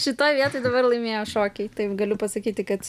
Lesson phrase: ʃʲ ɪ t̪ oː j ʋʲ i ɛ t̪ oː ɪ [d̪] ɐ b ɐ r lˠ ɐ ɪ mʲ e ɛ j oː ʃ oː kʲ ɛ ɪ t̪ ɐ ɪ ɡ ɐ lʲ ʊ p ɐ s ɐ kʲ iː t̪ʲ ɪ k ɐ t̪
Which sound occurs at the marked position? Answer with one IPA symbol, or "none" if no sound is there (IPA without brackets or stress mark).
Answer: d̪